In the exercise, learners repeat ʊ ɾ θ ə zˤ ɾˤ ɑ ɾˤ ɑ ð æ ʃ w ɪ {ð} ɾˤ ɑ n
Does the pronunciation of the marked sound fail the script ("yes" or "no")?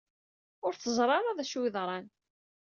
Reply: no